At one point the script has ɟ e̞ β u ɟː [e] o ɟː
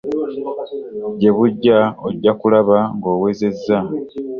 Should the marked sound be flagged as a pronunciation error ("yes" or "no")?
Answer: yes